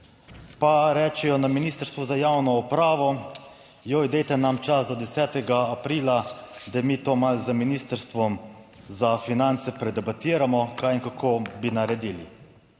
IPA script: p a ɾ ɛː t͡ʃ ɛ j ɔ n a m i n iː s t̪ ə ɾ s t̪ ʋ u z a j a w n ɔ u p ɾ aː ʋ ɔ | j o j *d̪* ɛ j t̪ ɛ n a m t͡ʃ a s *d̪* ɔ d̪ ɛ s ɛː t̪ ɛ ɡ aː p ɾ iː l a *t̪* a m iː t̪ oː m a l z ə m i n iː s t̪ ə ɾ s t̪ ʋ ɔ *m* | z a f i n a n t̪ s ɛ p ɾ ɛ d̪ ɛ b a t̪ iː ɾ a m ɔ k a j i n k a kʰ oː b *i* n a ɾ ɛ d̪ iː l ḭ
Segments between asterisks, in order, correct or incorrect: correct, correct, incorrect, correct, correct

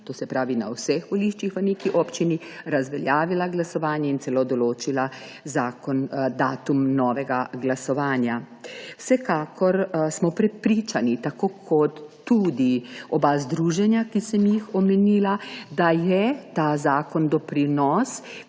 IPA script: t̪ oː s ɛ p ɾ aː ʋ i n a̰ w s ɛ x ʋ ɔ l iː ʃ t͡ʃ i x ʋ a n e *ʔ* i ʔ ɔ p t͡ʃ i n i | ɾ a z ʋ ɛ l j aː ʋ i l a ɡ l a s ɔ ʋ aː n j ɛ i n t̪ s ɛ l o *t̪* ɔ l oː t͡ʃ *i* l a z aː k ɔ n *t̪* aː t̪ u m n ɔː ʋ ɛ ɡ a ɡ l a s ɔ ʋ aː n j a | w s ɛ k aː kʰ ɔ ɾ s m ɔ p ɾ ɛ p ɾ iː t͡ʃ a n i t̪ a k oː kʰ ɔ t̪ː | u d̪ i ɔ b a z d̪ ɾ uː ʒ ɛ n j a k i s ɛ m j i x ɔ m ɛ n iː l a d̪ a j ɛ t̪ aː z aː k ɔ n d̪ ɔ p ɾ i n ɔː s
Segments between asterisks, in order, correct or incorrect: incorrect, incorrect, correct, incorrect

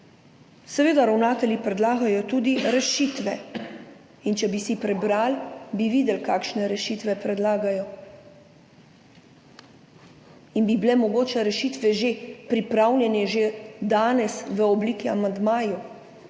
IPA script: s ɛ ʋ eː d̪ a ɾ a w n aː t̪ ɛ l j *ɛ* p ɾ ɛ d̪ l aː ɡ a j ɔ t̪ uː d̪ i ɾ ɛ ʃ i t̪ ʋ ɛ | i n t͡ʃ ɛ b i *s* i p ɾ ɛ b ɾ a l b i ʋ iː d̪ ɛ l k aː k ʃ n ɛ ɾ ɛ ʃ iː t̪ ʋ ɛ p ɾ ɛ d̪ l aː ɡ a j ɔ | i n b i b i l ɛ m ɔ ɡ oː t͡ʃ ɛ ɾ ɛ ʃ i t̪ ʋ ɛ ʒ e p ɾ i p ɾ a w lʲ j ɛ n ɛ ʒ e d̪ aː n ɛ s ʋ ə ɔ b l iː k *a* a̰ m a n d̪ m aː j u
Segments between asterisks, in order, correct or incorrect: incorrect, correct, incorrect

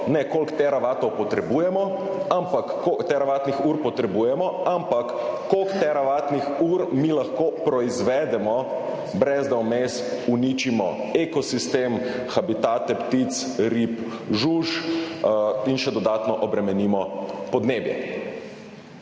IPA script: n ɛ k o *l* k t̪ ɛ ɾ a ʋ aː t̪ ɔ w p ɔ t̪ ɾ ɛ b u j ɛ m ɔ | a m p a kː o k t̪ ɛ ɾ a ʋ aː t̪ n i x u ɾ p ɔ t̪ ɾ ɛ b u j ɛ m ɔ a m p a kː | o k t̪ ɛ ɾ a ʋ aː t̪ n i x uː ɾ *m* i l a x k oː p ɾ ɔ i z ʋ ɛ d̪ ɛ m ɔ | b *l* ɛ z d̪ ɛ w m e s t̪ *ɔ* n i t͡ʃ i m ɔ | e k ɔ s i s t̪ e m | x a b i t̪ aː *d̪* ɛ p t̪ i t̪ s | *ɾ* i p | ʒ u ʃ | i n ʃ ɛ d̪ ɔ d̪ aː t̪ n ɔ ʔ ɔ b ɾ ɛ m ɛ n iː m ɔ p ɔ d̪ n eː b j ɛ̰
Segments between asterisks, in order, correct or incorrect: correct, correct, incorrect, incorrect, incorrect, correct

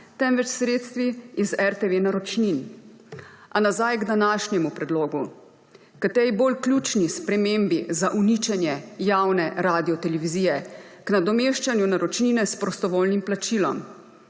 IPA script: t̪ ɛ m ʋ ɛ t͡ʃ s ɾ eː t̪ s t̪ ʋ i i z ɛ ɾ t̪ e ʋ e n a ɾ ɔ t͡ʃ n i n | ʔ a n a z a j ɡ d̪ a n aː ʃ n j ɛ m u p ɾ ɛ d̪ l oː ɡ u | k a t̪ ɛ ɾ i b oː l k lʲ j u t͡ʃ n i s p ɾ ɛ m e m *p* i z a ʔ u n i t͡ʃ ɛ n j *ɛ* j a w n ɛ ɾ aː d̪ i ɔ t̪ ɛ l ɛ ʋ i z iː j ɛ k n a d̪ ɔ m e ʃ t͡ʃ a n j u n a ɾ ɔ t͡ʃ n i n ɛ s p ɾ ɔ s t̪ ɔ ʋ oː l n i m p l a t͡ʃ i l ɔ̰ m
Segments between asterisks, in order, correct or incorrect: incorrect, correct

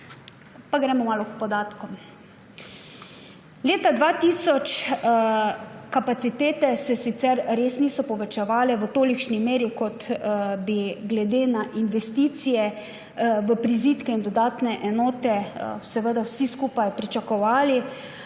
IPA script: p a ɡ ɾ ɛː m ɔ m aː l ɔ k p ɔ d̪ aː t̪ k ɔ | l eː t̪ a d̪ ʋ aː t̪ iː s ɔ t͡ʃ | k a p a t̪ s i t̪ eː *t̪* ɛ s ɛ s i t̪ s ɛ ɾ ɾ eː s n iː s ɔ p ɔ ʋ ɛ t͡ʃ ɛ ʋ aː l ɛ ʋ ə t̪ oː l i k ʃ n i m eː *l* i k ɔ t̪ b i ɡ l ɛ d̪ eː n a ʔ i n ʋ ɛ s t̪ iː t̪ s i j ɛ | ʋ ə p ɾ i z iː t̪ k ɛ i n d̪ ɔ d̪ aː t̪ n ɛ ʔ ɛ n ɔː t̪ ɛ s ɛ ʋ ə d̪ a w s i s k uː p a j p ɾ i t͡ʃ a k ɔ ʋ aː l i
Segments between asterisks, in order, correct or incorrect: correct, incorrect

